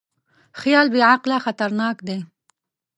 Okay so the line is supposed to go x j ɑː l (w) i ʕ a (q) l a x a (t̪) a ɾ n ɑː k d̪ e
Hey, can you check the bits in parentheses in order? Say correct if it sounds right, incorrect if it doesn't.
incorrect: b, correct, correct

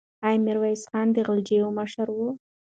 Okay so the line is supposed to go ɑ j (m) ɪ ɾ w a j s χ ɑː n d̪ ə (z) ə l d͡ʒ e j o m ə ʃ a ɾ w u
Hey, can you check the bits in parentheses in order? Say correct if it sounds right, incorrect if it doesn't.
correct, incorrect: ɣ

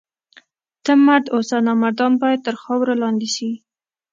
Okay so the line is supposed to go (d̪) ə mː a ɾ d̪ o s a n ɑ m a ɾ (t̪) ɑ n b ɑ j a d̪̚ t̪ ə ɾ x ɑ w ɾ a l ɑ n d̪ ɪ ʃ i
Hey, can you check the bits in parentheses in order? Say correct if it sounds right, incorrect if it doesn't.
incorrect: t̪, incorrect: d̪

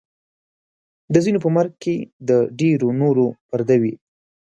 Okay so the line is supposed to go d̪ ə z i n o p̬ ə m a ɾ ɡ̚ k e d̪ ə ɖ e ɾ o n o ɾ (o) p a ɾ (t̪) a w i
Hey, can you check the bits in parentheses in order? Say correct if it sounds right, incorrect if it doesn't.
correct, incorrect: d̪

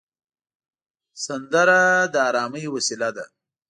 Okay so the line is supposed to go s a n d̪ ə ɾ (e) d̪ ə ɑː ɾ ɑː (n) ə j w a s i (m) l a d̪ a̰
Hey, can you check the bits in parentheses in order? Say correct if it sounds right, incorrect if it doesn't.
incorrect: a, incorrect: m, incorrect: none

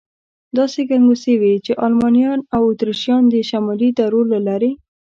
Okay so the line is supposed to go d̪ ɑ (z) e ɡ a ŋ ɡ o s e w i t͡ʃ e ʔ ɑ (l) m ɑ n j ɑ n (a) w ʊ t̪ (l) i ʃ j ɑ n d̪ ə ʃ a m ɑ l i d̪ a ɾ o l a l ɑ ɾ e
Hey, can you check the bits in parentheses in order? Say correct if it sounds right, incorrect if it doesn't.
incorrect: s, correct, correct, incorrect: ɾ

